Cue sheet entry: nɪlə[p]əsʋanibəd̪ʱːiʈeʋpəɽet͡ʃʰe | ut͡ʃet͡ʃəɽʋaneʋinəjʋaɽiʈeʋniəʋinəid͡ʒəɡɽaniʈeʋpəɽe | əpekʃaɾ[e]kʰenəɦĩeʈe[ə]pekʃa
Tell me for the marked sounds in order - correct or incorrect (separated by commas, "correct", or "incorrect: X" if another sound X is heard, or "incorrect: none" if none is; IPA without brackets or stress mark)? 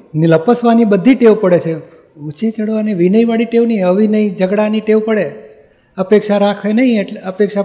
correct, incorrect: a, correct